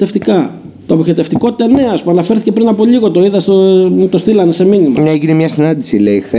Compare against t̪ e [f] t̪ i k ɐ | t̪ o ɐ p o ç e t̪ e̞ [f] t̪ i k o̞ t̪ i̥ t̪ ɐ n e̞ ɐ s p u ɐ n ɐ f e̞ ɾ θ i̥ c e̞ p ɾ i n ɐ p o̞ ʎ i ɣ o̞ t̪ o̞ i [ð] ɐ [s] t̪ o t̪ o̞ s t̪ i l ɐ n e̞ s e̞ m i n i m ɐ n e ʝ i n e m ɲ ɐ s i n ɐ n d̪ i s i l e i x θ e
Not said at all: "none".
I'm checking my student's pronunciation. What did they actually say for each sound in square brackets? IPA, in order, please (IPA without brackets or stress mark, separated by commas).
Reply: f, f, ð, s